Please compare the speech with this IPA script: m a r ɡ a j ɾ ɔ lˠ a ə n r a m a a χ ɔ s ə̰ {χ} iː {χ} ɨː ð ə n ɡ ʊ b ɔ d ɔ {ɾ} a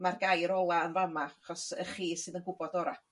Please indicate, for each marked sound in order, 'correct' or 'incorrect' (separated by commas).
correct, incorrect, correct